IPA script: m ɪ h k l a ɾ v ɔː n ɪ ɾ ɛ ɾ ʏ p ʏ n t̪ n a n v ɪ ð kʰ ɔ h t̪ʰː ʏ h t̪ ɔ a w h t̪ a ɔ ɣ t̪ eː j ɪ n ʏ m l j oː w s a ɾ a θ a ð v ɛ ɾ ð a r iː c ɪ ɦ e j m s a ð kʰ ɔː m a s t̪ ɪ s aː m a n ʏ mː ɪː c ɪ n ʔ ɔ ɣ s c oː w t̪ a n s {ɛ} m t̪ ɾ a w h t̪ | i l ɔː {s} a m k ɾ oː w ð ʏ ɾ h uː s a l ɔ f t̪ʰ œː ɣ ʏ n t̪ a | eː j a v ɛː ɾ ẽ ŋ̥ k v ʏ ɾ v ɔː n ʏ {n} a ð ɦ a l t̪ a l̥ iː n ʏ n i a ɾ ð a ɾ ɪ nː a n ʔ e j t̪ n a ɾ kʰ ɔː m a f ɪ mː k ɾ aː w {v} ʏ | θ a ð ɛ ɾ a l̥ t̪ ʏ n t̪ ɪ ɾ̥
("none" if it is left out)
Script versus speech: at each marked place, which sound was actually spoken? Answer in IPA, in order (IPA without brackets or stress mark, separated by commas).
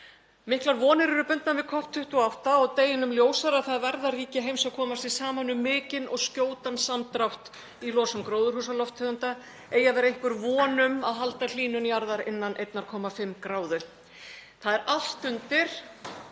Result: a, s, m, ð